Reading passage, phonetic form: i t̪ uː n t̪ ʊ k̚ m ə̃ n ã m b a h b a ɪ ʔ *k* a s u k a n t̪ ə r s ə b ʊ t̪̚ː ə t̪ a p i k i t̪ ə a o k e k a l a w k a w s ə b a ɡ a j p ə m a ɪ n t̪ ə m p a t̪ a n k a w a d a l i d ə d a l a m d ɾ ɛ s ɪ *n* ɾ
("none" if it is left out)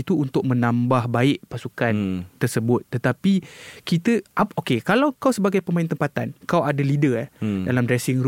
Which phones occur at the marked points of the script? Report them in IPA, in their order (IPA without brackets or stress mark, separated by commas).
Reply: p, ŋ